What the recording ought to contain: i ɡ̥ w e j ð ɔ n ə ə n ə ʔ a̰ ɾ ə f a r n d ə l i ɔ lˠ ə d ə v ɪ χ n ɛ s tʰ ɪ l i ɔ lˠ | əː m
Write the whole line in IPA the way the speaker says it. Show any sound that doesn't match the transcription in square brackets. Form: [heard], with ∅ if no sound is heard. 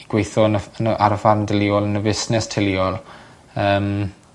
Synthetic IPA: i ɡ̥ w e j [θ] ɔ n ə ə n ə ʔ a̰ ɾ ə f a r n d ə l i ɔ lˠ ə [n] ə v ɪ [s] n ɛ s tʰ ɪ l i ɔ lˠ | əː m

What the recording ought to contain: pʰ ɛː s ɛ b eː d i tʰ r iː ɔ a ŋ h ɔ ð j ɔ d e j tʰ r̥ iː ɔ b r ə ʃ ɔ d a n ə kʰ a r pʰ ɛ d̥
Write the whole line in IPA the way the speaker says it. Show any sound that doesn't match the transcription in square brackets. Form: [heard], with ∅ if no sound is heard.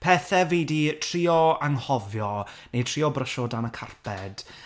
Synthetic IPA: pʰ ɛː [θ] ɛ [v] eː d i tʰ r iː ɔ a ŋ h ɔ [v] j ɔ [n] e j tʰ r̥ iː ɔ b r ə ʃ ɔ d a n ə kʰ a r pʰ ɛ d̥

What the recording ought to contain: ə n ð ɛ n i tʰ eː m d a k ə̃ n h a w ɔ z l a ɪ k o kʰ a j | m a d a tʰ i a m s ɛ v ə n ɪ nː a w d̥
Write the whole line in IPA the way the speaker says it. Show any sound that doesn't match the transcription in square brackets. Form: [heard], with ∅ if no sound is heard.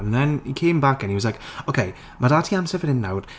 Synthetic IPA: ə n ð ɛ n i [kʰ] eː m [b] a k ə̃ n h [i] w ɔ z l a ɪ k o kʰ [e] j | m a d a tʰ i a m s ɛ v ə n ɪ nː a w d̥

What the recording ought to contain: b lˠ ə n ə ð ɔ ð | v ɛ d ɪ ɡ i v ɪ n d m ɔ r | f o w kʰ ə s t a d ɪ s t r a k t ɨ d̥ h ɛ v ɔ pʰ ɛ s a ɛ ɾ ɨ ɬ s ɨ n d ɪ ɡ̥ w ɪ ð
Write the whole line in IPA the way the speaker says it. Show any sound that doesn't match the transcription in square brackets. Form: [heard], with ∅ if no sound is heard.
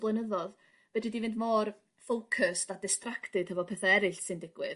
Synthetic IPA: b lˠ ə n ə ð ɔ ð | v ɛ d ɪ [d] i v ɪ n d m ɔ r | f o w kʰ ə s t a d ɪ s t r a k t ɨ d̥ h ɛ v ɔ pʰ ɛ [θ] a ɛ ɾ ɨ ɬ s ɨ n d ɪ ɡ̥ w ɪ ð

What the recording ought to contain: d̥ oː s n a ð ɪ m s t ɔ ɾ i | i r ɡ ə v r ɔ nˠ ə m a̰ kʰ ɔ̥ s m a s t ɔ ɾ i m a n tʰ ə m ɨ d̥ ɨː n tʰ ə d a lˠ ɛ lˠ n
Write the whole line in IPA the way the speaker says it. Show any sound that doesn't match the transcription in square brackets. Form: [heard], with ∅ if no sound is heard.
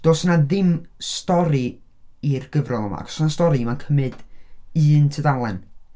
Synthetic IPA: d̥ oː s n a ð ɪ m s t ɔ ɾ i | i r ɡ ə v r ɔ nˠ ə m a̰ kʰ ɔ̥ s [n] a s t ɔ ɾ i m a n [kʰ] ə m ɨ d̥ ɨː n tʰ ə d a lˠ ɛ [∅] n

